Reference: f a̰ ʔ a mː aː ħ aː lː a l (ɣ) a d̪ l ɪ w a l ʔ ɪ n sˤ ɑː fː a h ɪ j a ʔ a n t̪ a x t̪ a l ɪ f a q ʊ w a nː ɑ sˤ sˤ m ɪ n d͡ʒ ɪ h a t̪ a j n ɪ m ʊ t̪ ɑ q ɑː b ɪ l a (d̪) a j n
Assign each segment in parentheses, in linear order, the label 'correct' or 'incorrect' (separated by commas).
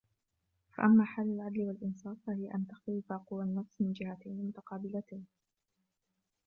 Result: incorrect, incorrect